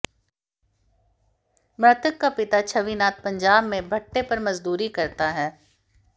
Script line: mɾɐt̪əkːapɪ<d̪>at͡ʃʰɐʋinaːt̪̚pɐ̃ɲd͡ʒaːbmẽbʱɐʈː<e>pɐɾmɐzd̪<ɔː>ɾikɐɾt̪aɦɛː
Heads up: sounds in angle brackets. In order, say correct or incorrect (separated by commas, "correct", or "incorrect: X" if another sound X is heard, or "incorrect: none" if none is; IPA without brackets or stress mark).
incorrect: t̪, correct, incorrect: uː